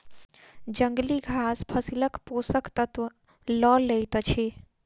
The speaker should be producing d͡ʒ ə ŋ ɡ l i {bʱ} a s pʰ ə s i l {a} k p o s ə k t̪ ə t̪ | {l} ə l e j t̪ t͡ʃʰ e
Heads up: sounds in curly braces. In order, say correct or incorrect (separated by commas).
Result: incorrect, incorrect, correct